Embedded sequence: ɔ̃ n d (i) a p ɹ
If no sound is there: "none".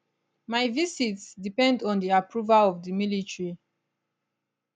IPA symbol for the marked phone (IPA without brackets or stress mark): i